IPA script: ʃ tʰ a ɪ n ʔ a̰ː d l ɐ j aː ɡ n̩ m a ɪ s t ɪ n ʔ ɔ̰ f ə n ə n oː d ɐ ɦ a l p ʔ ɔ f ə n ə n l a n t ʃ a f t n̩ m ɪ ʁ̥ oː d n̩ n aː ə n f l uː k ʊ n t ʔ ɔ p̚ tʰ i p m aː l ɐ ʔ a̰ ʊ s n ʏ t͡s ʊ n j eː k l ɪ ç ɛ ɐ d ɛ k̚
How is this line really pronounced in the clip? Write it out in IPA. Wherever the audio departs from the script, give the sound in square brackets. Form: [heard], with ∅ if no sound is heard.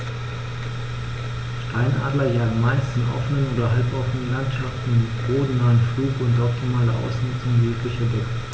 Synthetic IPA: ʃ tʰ a ɪ n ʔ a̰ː d l ɐ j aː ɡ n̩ m a ɪ s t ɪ n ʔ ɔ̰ f ə n ə n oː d ɐ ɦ a l p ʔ ɔ f ə n ə n l a n t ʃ a f t n̩ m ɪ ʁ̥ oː d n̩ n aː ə n f l uː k ʊ n t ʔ ɔ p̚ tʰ i [∅] m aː l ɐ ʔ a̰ ʊ s n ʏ t͡s ʊ [ŋ] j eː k l ɪ ç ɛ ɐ d ɛ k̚